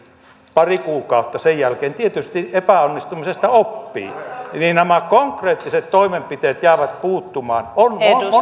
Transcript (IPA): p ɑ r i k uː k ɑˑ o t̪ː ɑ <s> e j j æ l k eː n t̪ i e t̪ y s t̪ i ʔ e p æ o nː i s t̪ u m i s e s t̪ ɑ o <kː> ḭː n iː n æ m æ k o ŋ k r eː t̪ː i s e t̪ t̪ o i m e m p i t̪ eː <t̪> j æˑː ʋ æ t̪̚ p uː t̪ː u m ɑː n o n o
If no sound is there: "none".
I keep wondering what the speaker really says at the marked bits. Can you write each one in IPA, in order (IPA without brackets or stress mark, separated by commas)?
s, pː, t̪